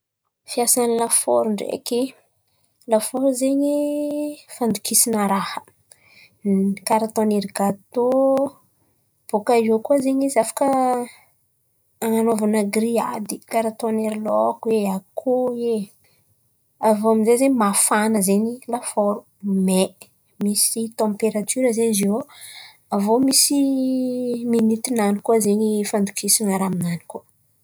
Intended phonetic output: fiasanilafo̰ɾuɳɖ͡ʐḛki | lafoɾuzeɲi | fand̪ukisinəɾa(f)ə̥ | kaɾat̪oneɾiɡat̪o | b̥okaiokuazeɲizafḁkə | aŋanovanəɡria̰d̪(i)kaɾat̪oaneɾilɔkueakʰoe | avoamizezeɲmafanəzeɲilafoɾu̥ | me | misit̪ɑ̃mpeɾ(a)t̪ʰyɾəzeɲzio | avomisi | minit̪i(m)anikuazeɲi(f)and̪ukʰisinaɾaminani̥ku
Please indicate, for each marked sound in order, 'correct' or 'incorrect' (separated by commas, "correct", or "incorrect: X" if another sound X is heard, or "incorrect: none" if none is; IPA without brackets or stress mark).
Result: incorrect: h, correct, correct, incorrect: n, correct